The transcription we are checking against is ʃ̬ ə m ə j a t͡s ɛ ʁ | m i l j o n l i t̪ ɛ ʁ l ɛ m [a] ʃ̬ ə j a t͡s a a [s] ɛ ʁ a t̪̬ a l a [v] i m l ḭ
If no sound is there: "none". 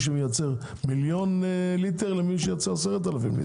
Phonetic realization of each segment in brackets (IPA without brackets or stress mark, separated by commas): i, s, f